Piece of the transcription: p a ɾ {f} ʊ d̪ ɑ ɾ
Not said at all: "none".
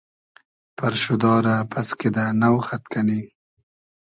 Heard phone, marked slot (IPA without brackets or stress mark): ʃ